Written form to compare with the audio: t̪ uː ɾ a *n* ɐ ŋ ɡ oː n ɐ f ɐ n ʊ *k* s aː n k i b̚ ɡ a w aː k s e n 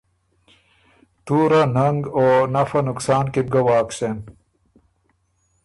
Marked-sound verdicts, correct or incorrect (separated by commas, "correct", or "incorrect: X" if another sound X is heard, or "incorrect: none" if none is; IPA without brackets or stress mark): correct, correct